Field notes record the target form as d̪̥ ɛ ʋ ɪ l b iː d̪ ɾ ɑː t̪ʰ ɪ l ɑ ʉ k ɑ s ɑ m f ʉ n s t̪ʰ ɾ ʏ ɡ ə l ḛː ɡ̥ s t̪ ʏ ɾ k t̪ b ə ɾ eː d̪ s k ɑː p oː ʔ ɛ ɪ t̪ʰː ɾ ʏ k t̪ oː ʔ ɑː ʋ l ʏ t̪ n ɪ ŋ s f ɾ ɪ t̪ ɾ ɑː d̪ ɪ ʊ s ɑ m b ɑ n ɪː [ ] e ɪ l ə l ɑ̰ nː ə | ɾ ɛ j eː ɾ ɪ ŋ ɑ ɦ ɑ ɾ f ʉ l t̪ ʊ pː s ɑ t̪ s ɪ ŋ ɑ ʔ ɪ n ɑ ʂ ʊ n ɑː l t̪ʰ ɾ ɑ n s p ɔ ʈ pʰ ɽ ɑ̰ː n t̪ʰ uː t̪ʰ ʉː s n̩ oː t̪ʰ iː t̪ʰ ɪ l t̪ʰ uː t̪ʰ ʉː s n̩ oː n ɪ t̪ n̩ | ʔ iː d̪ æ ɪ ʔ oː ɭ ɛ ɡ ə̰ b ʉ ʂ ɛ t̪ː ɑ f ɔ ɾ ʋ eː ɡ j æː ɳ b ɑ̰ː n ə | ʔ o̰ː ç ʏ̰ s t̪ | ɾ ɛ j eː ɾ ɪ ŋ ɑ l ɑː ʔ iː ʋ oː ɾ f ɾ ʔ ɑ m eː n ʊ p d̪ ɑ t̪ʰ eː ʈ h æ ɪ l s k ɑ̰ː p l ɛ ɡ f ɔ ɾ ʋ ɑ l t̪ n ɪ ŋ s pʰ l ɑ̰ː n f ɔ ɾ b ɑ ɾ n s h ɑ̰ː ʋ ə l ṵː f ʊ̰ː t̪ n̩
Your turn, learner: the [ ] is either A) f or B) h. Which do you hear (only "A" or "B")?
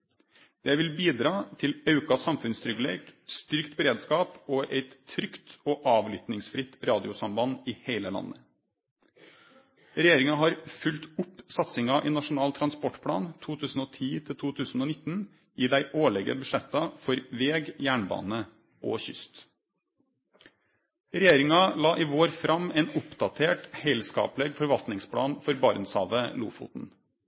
B